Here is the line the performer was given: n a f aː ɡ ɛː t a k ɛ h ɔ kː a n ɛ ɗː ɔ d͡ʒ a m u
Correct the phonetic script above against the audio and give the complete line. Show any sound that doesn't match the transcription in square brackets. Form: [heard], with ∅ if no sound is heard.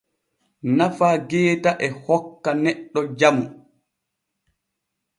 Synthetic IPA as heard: n a f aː ɡ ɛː t a [ʔ] ɛ h ɔ kː a n ɛ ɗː ɔ d͡ʒ a m u